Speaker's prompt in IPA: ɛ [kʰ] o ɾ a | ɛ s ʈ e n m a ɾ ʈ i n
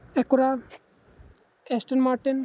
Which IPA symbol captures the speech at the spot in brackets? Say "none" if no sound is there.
k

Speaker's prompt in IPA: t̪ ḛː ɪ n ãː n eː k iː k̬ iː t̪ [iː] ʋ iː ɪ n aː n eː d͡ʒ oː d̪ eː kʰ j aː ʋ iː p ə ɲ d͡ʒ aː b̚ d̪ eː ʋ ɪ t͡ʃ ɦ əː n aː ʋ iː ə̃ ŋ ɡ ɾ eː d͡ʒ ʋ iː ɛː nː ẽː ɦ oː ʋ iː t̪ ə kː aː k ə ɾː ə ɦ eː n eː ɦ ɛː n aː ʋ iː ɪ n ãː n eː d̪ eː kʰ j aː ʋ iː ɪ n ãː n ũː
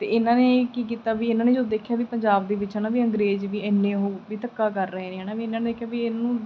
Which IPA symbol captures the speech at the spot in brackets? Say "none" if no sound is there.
aː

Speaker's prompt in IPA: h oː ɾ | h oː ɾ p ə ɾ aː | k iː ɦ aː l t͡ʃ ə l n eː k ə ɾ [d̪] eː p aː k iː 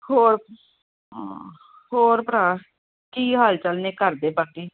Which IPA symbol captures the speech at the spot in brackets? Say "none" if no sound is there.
d̪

